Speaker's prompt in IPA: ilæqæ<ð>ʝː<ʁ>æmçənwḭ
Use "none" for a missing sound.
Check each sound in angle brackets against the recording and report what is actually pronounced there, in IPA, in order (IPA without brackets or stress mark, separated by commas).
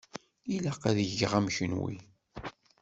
ð, ʁ